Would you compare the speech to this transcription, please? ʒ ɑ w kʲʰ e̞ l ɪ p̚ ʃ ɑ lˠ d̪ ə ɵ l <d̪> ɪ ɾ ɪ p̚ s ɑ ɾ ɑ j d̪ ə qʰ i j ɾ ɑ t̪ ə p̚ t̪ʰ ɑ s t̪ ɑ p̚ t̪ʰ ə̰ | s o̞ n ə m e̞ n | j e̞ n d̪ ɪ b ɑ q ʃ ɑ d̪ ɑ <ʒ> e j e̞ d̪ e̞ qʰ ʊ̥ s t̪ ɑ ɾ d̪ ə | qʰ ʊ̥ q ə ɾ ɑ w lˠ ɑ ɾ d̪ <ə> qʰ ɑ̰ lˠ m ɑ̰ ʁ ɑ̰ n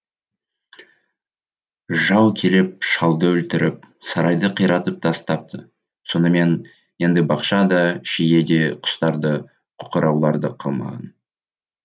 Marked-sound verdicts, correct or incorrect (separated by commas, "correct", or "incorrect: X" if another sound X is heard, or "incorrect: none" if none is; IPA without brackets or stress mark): incorrect: t̪, incorrect: ʃ, correct